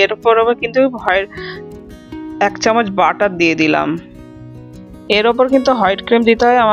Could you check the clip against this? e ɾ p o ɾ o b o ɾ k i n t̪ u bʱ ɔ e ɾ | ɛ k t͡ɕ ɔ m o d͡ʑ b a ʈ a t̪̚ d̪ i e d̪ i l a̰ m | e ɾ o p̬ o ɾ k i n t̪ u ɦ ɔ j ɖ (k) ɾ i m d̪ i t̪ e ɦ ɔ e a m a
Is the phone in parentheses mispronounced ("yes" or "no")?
no